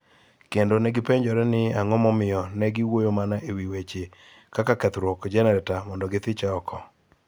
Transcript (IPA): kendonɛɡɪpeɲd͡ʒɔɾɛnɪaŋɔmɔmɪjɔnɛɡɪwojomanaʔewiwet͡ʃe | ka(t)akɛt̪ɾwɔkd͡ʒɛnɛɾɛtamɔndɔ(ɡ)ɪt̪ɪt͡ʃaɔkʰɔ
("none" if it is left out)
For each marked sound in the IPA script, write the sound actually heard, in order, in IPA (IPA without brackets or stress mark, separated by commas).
k, ɡ